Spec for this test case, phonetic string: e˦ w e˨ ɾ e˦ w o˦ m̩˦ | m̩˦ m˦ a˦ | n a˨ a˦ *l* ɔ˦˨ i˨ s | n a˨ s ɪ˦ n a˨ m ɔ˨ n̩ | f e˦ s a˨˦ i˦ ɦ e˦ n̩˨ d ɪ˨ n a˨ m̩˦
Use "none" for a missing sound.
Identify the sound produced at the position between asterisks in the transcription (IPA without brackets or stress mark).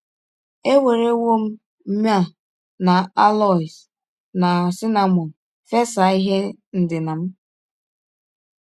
l